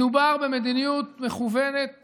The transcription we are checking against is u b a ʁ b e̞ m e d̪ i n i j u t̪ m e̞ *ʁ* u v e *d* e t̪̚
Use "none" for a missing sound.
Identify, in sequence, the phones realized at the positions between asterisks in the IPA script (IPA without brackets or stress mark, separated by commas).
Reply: χ, n